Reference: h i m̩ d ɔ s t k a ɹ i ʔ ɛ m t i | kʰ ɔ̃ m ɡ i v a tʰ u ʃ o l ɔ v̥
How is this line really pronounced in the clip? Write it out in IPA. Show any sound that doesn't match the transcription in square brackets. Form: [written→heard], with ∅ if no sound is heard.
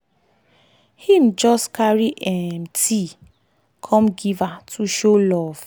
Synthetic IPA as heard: h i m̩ [d→d͡ʒ] ɔ s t k a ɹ i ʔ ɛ m t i | kʰ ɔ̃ m ɡ i v a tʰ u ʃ o l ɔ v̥